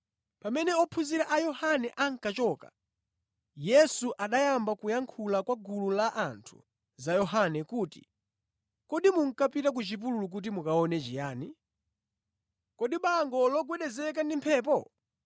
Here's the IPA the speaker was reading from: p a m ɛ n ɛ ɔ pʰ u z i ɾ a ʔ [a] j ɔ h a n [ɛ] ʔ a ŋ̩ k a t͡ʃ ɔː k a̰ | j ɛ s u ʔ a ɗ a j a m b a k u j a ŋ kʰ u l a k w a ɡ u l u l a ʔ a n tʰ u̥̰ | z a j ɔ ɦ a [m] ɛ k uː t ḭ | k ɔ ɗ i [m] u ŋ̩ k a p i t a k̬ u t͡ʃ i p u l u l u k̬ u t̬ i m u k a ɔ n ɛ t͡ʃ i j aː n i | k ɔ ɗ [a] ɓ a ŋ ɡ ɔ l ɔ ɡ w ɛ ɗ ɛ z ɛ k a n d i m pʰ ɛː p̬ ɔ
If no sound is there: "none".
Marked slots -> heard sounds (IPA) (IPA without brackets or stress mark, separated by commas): a, ɛ, n, m, i